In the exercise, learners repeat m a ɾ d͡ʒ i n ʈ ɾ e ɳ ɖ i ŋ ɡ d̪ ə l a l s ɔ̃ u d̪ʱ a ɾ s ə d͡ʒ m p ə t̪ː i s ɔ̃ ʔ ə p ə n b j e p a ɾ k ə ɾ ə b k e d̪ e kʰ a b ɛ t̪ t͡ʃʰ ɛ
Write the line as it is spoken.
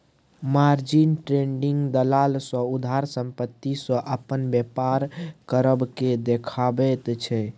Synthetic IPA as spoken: m a ɾ d͡ʒ i n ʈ ɾ e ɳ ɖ i ŋ ɡ d̪ ə l a l s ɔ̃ u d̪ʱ a ɾ s ə m p ə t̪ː i s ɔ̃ ʔ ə p ə n b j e p a ɾ k ə ɾ ə b k e d̪ e kʰ a b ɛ t̪ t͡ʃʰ ɛ